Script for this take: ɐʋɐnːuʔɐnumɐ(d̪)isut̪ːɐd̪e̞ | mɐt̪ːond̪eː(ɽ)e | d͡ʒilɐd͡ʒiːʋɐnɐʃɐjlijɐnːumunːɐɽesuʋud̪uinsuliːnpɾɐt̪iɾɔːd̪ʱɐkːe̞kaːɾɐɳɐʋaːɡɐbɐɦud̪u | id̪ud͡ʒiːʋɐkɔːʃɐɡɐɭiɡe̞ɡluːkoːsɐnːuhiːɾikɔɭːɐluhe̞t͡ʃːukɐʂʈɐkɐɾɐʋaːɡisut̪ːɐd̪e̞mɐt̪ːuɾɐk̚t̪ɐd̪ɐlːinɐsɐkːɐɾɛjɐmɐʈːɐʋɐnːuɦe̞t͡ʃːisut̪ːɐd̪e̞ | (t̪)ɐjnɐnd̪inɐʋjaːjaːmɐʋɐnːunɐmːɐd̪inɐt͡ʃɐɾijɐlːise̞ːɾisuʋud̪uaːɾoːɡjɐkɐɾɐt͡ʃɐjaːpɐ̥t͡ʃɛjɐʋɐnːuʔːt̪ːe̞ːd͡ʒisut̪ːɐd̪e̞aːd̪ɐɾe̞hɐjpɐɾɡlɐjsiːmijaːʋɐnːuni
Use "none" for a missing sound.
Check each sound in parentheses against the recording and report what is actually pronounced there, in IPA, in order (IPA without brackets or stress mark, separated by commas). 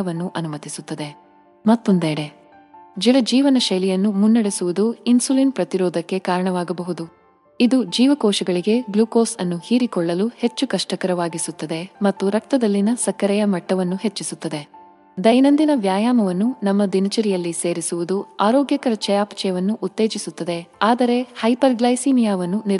t̪, ɽ, d̪